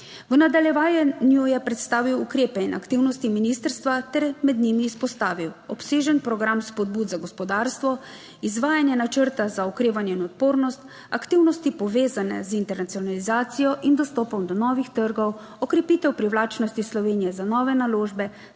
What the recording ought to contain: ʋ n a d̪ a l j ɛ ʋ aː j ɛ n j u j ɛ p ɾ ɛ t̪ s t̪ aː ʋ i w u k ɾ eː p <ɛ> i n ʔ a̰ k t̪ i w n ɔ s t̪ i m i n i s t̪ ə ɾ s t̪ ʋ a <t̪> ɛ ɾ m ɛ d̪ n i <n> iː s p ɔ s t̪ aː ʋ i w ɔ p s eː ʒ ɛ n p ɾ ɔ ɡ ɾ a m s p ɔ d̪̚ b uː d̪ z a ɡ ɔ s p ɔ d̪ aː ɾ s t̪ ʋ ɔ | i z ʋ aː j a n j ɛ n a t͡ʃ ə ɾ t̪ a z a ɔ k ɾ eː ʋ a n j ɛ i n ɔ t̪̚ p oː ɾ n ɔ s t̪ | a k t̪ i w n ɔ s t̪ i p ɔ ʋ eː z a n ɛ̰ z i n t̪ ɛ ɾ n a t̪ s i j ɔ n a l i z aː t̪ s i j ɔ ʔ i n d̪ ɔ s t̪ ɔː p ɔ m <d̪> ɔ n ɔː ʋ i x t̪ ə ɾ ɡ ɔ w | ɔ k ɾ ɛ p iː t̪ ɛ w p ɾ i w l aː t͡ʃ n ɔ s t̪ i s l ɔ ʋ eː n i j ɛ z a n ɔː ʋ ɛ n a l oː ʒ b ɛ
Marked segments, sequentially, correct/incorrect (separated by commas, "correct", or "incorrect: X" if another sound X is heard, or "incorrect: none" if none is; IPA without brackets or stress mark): correct, correct, incorrect: m, correct